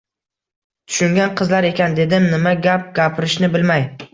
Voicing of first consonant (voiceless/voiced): voiceless